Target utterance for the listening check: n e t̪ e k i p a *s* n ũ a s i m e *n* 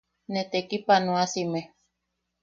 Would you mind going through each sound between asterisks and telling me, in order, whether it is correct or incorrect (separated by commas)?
incorrect, incorrect